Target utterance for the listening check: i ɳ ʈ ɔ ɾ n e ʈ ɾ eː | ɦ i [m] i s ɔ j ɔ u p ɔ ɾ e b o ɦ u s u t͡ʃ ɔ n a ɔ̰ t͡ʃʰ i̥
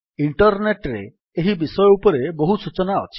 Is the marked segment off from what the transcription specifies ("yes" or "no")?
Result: yes